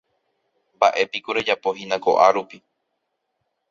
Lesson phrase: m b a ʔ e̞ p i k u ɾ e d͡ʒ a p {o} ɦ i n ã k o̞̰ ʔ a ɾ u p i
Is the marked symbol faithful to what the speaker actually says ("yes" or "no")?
yes